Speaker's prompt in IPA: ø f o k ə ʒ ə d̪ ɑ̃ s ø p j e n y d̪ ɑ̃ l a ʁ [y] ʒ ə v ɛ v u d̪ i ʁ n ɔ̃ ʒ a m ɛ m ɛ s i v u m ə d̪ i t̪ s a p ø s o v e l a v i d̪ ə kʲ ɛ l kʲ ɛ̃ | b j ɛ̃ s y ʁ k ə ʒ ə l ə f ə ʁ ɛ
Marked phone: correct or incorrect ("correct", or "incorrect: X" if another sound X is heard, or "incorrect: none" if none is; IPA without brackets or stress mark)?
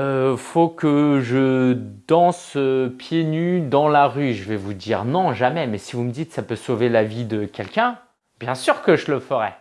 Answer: correct